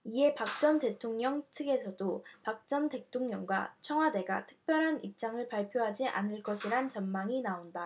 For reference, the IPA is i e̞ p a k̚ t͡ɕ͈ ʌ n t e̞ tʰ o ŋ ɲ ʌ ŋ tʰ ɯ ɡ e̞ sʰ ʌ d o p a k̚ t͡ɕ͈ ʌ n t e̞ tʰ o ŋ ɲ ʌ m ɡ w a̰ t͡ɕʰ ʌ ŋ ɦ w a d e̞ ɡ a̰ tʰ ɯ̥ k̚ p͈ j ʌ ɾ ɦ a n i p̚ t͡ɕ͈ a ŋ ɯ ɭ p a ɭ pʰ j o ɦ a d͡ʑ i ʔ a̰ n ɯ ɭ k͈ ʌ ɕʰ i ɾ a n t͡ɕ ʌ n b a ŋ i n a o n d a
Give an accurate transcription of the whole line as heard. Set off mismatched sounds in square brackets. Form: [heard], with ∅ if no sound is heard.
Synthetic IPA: i e̞ p a k̚ t͡ɕ͈ ʌ n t e̞ tʰ o ŋ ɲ ʌ ŋ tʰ ɯ ɡ e̞ sʰ ʌ d o p a k̚ t͡ɕ͈ ʌ n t e̞ tʰ o ŋ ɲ ʌ [ŋ] ɡ w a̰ t͡ɕʰ ʌ ŋ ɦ w a d e̞ ɡ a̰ tʰ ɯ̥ k̚ p͈ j ʌ ɾ ɦ a n i p̚ t͡ɕ͈ a ŋ ɯ ɭ p a ɭ pʰ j o ɦ a d͡ʑ i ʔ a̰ n ɯ ɭ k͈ ʌ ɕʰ i ɾ a n t͡ɕ ʌ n [m] a ŋ i n a o n d a